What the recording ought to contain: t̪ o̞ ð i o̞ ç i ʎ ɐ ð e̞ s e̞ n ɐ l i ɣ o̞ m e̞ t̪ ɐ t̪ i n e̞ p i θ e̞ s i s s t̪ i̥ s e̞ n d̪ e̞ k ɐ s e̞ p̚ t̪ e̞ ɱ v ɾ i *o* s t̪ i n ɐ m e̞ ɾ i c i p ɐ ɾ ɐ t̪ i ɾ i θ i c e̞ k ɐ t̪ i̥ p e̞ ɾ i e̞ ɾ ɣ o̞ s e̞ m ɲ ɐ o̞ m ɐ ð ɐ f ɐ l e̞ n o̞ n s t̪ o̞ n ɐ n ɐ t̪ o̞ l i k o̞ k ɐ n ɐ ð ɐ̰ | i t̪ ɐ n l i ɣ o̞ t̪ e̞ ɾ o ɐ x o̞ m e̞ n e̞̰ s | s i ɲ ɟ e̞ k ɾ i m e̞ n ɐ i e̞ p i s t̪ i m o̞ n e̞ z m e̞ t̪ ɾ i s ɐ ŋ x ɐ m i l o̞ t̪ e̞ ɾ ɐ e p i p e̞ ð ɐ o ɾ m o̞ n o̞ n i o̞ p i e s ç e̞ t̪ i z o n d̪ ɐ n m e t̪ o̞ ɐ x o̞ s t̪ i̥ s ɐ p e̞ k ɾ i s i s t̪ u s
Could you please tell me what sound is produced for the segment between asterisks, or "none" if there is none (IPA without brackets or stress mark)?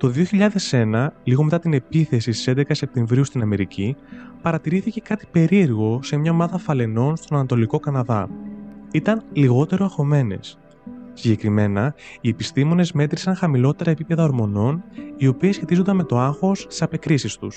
u